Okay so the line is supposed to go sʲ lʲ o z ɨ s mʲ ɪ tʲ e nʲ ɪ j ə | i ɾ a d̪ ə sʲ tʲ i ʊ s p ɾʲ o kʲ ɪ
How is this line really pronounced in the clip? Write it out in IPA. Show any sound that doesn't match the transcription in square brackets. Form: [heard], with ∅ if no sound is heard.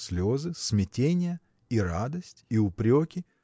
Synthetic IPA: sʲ lʲ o z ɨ s mʲ ɪ tʲ e nʲ ɪ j ə | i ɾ a d̪ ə sʲ tʲ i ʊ [∅] p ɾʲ o kʲ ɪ